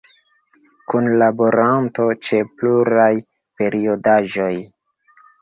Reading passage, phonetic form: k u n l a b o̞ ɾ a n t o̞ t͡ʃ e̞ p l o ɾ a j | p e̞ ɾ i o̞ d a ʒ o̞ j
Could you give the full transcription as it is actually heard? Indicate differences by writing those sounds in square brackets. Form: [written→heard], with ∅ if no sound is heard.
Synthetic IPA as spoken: k u n l a b o̞ ɾ a n t o̞ t͡ʃ e̞ p l [o→u] ɾ a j | p e̞ ɾ i o̞ d a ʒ o̞ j